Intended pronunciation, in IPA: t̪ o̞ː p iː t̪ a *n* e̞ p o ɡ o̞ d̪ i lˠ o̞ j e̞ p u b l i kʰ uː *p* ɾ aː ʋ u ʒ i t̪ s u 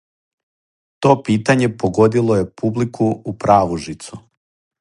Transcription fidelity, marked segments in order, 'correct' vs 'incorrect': incorrect: ɲ, correct

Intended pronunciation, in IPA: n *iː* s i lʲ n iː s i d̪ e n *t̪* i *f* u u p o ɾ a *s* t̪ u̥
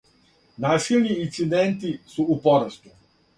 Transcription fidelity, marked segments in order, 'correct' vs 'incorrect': incorrect: aː, correct, incorrect: s, correct

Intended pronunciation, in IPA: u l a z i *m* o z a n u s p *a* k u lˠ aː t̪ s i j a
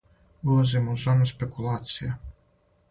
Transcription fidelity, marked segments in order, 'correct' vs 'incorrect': correct, incorrect: e

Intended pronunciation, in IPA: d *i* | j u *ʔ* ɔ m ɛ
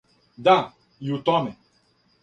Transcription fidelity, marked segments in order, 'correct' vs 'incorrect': incorrect: a, incorrect: t

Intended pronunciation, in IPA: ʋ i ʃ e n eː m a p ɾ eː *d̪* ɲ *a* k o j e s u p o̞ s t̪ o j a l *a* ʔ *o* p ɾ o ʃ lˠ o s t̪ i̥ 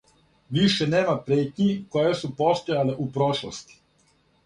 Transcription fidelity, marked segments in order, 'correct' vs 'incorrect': incorrect: t̪, incorrect: i, incorrect: e, incorrect: u

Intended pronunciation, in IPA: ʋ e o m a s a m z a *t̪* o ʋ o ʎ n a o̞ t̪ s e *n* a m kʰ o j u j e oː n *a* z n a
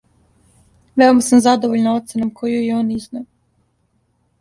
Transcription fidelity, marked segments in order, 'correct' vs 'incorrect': incorrect: d̪, correct, incorrect: i

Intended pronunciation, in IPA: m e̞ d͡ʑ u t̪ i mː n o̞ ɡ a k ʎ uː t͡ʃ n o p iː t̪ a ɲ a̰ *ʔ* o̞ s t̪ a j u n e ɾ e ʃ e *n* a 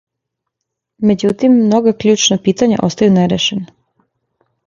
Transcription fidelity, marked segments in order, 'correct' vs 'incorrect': correct, correct

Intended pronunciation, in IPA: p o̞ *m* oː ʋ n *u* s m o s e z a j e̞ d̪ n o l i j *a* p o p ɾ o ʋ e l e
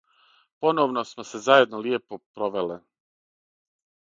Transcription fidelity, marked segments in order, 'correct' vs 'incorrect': incorrect: n, incorrect: o, incorrect: e

